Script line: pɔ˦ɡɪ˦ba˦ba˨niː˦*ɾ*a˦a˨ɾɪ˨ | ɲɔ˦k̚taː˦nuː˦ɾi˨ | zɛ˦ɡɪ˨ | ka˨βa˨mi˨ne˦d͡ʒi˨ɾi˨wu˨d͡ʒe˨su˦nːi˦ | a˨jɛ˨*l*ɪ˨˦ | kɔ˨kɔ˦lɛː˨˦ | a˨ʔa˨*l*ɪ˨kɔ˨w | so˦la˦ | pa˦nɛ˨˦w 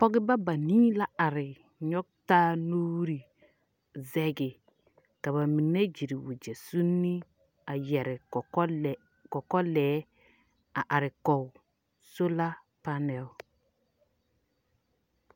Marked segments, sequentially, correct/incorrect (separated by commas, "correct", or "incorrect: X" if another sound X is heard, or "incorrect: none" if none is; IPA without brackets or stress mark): incorrect: l, incorrect: ɾ, incorrect: ɾ